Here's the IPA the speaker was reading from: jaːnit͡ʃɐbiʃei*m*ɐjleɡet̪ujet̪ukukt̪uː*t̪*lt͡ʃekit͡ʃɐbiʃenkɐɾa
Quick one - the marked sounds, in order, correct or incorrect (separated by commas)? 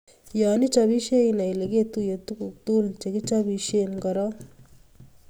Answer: incorrect, incorrect